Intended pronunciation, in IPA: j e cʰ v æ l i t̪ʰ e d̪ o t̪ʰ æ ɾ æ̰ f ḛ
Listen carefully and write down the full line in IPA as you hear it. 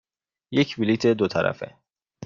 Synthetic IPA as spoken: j e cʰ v i l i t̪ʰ e d̪ o t̪ʰ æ ɾ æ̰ f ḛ